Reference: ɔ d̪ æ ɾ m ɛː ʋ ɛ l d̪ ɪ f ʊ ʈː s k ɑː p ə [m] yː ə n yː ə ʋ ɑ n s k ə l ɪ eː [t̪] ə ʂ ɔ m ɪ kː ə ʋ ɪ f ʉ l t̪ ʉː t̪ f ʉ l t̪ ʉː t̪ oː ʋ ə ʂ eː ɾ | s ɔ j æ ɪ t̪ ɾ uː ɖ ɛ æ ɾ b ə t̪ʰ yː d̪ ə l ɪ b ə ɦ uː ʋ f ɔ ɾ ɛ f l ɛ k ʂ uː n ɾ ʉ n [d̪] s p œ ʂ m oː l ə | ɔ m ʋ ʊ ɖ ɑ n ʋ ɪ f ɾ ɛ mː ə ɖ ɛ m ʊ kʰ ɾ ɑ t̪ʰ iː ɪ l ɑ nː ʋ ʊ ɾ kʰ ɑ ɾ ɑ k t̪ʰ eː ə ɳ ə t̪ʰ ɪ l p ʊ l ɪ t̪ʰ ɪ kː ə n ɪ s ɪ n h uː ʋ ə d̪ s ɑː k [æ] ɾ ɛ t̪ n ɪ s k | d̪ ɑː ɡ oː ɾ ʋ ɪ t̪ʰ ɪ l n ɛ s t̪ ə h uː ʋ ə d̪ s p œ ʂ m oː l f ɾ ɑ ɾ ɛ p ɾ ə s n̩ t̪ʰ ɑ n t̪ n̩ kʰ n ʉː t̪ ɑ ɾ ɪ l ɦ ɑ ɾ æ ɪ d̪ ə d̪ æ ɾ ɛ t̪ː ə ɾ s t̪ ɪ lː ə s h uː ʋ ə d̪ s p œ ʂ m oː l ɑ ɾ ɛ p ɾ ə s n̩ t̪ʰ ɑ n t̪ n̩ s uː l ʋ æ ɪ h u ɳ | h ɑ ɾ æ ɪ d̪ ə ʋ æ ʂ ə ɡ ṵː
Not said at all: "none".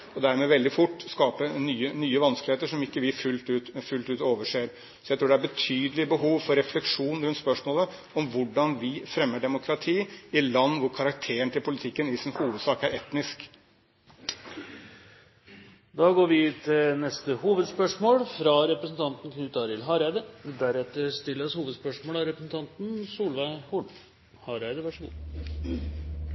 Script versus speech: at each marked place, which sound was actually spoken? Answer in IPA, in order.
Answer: n, t̪, t̪, æ

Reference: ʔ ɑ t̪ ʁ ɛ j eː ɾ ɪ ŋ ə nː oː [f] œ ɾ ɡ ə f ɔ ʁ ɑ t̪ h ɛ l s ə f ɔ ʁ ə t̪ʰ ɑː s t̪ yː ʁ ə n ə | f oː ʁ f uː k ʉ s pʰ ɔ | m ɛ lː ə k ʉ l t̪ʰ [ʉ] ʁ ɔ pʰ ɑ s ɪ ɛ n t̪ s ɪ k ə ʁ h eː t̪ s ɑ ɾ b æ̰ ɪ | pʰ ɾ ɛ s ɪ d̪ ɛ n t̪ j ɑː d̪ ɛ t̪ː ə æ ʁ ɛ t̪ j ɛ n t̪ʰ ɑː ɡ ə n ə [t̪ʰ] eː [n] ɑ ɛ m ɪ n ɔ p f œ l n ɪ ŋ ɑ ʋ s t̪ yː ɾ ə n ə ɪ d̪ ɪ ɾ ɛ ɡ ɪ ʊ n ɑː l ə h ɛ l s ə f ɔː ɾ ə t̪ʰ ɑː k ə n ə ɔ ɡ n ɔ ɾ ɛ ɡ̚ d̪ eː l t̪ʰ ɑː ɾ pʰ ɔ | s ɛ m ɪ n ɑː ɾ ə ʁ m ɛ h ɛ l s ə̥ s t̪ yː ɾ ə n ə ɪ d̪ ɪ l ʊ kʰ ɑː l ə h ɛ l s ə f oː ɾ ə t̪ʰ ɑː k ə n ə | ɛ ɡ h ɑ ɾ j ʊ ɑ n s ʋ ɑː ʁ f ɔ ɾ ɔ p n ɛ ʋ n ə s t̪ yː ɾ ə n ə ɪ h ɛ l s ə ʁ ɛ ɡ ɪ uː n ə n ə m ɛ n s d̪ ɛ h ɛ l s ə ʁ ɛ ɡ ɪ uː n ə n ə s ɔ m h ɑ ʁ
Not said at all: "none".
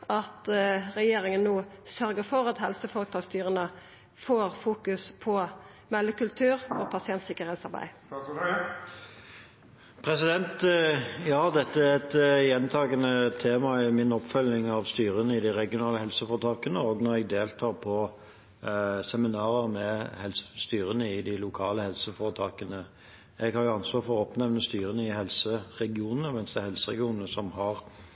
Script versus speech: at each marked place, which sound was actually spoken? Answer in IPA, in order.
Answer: s, ʉː, t̪ʰ, m

